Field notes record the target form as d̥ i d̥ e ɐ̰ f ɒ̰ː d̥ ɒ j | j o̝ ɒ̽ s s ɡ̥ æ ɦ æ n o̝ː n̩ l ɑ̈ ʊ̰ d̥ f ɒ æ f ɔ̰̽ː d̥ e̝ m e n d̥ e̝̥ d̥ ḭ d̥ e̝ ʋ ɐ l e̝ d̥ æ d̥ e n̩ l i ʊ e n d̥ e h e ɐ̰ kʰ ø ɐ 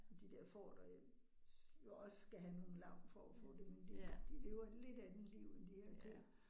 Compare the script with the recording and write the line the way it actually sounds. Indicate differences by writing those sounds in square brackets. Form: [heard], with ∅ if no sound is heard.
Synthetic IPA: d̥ i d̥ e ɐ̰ f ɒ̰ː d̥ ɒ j | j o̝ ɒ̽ s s ɡ̥ æ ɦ æ n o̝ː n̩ l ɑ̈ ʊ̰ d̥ f ɒ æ f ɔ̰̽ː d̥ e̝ m e n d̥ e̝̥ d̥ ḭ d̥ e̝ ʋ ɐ l e̝ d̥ æ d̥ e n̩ l i ʊ e n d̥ [i] h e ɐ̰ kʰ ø ɐ